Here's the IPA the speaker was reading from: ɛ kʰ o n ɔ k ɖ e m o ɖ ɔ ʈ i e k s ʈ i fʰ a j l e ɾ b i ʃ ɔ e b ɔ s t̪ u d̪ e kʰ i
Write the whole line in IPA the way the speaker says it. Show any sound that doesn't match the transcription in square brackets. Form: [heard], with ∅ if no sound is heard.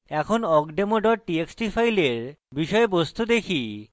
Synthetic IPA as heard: ɛ kʰ o n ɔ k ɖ e m o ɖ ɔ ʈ i e k s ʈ i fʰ a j l e ɾ b i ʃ ɔ e b [o] s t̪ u d̪ e kʰ i